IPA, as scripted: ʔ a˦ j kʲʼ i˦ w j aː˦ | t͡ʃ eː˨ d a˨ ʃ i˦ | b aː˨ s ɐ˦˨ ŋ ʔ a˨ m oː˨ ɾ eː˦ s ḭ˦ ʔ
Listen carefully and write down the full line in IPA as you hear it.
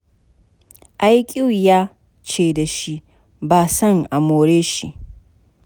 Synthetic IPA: ʔ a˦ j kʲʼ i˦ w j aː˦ | t͡ʃ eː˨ d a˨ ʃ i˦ | b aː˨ s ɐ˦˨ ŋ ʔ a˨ m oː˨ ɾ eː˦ ʃ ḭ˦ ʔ